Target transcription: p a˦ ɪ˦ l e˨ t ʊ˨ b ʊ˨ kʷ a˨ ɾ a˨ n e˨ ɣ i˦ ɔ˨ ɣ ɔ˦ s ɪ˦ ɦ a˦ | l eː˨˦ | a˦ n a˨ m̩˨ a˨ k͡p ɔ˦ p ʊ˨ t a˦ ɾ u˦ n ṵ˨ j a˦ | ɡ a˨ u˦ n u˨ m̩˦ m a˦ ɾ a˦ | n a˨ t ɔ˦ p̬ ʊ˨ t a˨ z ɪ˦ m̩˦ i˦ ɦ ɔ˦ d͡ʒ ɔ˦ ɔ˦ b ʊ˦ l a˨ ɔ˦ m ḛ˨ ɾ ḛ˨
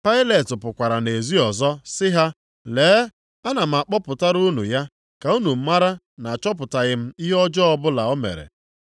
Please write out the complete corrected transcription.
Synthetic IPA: p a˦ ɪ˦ l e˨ t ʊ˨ p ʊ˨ kʷ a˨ ɾ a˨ n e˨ z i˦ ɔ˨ z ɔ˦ s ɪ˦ ɦ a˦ | l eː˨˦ | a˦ n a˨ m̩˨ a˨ k͡p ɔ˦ p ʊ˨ t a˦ ɾ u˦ n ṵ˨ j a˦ | k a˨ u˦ n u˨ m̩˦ m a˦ ɾ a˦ | n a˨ t͡ʃ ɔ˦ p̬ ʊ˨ t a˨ ɣ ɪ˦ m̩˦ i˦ ɦ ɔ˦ d͡ʒ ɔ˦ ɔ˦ b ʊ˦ l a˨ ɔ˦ m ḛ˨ ɾ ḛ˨

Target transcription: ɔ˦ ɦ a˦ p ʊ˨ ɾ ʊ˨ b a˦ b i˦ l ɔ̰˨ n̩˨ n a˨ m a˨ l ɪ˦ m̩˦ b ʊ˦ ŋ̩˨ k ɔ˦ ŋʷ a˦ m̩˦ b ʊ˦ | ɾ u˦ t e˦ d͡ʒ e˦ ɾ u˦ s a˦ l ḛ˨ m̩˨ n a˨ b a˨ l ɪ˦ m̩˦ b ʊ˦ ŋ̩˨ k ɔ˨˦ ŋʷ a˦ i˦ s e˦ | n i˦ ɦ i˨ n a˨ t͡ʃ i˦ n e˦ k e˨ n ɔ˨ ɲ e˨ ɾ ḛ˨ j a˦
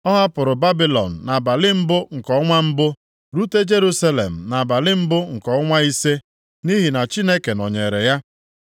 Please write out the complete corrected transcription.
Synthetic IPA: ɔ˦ ɦ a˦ p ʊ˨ ɾ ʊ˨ b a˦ b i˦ l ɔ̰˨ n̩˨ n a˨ b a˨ l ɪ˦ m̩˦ b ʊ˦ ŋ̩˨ k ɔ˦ ŋʷ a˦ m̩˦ b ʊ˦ | ɾ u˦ t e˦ d͡ʒ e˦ ɾ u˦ s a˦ l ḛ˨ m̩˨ n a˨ b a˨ l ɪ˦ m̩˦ b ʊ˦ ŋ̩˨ k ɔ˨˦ ŋʷ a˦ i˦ s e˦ | n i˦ ɦ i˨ n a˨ t͡ʃ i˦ n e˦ k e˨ n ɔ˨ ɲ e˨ ɾ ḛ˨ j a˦

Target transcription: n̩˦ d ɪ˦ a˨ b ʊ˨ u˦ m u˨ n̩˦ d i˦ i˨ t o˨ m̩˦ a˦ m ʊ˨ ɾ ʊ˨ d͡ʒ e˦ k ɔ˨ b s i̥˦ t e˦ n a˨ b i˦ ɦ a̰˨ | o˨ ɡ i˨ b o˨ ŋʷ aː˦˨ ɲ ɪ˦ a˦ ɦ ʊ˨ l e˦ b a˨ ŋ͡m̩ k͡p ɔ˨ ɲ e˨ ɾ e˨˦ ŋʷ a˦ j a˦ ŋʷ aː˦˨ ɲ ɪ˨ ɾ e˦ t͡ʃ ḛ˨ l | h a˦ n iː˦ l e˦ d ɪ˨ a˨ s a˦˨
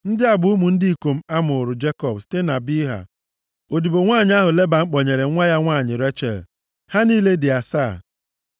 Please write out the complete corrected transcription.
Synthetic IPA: n̩˦ d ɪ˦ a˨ b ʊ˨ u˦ m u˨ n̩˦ d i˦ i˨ k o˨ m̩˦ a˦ m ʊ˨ ɾ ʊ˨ d͡ʒ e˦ k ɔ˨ b s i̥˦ t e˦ n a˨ b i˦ ɦ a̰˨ | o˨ d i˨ b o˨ ŋʷ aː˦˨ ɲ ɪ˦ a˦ ɦ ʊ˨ l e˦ b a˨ ŋ͡m̩ k͡p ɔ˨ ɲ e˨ ɾ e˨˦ ŋʷ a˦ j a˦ ŋʷ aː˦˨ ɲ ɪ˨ ɾ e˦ t͡ʃ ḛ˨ l | h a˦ n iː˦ l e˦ d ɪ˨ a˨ s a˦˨

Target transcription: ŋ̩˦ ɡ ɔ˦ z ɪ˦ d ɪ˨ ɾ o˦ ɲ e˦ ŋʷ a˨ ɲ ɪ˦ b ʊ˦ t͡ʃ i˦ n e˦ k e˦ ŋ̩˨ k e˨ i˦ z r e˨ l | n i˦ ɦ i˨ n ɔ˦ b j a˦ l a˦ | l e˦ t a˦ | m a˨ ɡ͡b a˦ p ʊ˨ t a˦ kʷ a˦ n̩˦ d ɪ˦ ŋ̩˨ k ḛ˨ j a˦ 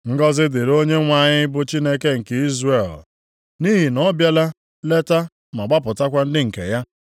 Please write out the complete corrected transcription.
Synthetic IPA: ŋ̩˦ ɡ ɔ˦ z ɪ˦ d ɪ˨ ɾ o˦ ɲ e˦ ŋʷ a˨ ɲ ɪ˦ b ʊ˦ t͡ʃ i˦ n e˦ k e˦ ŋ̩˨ k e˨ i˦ z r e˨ l | n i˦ ɦ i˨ n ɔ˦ b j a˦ l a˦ | l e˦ t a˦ | m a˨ ɡ͡b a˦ p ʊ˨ t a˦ kʷ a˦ n̩˦ d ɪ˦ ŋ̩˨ k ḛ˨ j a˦

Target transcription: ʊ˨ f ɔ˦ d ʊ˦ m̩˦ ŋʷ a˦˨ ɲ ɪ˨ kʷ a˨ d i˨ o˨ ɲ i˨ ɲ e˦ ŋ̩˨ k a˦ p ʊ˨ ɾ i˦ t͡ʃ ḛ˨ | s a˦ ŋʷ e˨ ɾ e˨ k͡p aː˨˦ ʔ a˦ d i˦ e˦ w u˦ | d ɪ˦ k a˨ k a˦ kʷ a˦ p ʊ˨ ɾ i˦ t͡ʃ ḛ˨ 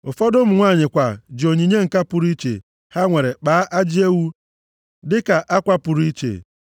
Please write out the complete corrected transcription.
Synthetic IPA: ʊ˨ f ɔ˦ d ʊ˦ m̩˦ ŋʷ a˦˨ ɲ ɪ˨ kʷ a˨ d͡ʒ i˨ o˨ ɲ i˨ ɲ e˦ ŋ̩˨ k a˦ p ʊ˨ ɾ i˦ t͡ʃ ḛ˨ | h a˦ ŋʷ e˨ ɾ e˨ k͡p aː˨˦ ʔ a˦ d͡ʒ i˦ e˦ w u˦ | d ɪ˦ k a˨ ʔ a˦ kʷ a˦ p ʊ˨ ɾ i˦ t͡ʃ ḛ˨

